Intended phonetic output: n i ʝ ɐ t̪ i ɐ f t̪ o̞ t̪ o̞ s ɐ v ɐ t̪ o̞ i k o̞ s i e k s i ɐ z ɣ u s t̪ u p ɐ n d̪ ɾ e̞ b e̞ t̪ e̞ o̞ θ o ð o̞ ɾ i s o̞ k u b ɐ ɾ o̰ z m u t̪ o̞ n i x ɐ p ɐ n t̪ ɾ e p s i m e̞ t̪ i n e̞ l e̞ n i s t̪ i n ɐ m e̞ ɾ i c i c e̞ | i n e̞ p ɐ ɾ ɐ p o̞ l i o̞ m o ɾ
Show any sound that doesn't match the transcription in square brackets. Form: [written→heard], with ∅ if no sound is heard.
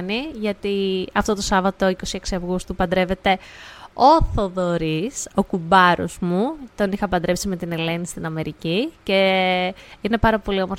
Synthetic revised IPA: n i ʝ ɐ t̪ i ɐ f t̪ o̞ t̪ o̞ s ɐ v ɐ t̪ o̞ i k o̞ s i e k s i ɐ [z→v] ɣ u s t̪ u p ɐ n d̪ ɾ e̞ [b→v] e̞ t̪ e̞ o̞ θ o ð o̞ ɾ i s o̞ k u b ɐ ɾ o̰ z m u t̪ o̞ n i x ɐ p ɐ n [t̪→d̪] ɾ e p s i m e̞ t̪ i n e̞ l e̞ n i s t̪ i n ɐ m e̞ ɾ i c i c e̞ | i n e̞ p ɐ ɾ ɐ p o̞ l i o̞ m o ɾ